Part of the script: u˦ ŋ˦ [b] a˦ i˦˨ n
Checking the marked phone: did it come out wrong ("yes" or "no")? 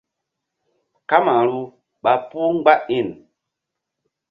yes